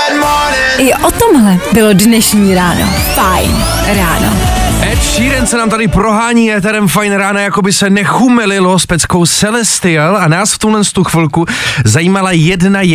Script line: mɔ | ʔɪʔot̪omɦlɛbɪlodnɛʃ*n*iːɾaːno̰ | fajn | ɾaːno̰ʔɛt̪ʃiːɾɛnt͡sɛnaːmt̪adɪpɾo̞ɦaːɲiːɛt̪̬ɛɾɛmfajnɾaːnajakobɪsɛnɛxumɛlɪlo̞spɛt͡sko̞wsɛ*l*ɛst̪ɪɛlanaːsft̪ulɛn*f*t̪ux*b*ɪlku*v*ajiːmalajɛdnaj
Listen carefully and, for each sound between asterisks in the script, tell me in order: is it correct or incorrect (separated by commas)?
incorrect, correct, incorrect, incorrect, incorrect